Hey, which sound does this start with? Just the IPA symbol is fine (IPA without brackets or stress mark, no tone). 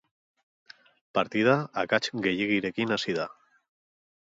p